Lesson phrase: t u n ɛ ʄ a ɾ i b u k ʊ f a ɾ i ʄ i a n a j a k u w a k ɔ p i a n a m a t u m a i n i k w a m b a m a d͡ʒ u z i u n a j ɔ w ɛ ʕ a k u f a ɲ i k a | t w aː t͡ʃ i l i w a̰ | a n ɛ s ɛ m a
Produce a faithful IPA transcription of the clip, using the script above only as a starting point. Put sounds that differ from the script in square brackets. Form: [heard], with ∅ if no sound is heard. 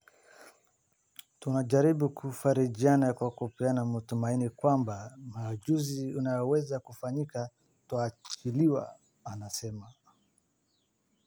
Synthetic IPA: t u n [a] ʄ a ɾ i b u k [u] f a ɾ i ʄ i a n a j a k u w a k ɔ p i a n a m a t u m a i n i k w a m b a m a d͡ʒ u z i u n a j ɔ w ɛ [z] a k u f a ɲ i k a | t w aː t͡ʃ i l i w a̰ | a n [a] s ɛ m a